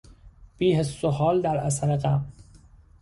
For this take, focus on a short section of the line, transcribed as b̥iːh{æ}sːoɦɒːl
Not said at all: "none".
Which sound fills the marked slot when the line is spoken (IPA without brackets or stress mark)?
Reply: e